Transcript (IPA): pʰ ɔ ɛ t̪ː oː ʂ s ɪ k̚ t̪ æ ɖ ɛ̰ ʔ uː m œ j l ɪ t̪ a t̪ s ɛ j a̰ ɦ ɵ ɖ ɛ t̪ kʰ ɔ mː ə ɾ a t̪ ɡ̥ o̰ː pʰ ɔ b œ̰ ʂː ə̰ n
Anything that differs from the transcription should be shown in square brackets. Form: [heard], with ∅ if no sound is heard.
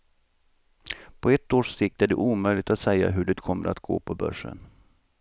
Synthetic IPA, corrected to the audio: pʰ ɔ ɛ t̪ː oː ʂ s ɪ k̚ t̪ æ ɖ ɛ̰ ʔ uː m œ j l ɪ t̪ a t̪ s ɛ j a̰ ɦ ɵ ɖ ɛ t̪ kʰ ɔ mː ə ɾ a t̪ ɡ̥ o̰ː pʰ ɔ b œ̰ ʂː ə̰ n